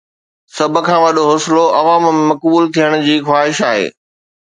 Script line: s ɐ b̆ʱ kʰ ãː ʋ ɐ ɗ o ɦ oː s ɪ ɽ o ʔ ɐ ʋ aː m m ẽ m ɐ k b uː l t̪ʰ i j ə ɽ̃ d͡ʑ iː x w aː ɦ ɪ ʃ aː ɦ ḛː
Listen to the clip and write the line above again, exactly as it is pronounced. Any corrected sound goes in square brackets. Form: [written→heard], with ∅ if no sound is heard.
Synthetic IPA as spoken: s ɐ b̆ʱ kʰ ãː ʋ ɐ ɗ o ɦ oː s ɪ [ɽ→l] o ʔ ɐ ʋ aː m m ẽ m ɐ k b uː l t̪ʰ i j ə ɽ̃ d͡ʑ iː x w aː ɦ ɪ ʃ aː ɦ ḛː